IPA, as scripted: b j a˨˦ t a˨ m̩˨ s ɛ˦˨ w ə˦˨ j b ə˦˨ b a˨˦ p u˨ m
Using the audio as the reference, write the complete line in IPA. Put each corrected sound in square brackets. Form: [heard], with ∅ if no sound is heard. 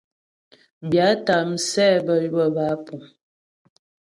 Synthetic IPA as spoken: b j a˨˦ t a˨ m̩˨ s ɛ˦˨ [b] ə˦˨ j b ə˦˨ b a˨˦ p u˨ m